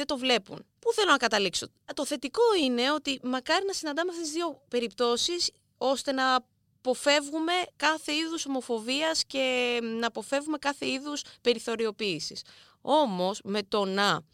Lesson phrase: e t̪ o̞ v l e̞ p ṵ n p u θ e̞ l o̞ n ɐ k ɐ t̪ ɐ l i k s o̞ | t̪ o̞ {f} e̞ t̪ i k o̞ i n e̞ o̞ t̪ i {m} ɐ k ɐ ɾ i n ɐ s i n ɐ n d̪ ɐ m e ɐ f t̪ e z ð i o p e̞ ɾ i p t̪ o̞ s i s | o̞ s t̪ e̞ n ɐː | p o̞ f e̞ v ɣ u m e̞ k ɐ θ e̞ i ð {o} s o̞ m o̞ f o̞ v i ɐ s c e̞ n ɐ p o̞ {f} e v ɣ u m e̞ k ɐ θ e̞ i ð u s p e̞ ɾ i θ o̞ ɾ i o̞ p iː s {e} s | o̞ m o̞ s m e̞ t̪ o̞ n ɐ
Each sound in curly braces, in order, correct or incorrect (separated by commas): incorrect, correct, incorrect, correct, incorrect